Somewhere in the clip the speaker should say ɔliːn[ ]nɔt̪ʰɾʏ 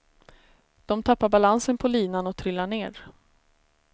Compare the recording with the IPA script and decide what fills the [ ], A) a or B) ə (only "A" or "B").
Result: A